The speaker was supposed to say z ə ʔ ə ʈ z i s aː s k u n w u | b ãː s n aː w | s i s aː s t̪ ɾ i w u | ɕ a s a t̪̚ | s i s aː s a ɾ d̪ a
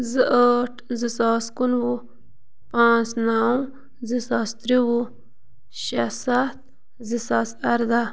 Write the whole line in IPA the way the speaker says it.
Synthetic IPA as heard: z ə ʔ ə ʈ z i s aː s k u n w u | p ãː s n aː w | z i s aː s t̪ ɾ i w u | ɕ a s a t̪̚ | z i s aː s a ɾ d̪ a